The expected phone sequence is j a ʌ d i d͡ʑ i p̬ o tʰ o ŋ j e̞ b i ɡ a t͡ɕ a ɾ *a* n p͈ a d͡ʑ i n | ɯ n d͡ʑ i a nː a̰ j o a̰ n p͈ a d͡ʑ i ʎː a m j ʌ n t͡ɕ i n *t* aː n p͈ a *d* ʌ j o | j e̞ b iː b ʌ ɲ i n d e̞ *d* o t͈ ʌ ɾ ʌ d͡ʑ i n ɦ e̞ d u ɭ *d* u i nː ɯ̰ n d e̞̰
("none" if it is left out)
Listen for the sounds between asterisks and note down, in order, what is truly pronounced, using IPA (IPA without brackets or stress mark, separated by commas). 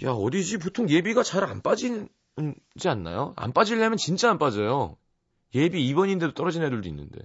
a, t͡ɕ͈, d͡ʑ, d, d